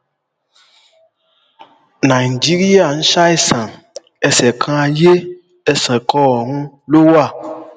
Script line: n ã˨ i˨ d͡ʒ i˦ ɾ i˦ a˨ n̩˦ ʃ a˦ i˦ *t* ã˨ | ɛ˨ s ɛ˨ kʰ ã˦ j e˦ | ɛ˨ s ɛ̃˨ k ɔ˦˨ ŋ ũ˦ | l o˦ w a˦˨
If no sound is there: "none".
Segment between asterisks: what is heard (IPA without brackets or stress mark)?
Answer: s